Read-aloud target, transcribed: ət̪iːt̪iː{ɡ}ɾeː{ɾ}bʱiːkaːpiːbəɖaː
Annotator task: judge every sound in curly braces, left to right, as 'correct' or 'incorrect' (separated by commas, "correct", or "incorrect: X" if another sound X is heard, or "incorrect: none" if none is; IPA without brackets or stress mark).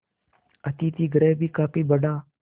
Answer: correct, incorrect: none